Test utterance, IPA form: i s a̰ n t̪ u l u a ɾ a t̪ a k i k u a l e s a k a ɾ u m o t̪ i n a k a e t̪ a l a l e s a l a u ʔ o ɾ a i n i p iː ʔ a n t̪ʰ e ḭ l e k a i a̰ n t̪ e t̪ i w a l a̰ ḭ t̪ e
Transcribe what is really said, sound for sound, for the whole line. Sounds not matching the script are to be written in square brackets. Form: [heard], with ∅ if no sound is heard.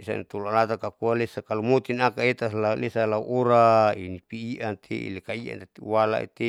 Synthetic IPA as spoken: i s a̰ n t̪ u l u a [l] a t̪ a k [a] k u a l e s a k a [l] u m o t̪ i n a k a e t̪ a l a l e s a l a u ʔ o ɾ a i n i p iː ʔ a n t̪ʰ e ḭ l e k a i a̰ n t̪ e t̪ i w a l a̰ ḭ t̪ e